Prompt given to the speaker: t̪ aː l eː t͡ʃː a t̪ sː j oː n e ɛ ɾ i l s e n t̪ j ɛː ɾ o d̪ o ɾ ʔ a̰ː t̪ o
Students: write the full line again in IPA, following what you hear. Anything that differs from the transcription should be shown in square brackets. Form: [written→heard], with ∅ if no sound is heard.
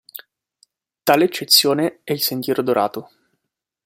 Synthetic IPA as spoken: t̪ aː l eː t͡ʃː [a→e] t̪ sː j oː n e ɛ [ɾ→∅] i l s e n t̪ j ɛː ɾ o d̪ o ɾ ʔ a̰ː t̪ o